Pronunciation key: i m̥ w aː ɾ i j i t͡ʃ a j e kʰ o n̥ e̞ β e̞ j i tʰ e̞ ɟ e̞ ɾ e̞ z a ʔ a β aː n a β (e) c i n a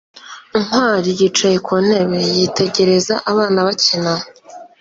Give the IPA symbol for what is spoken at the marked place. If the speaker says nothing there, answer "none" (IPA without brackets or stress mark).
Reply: a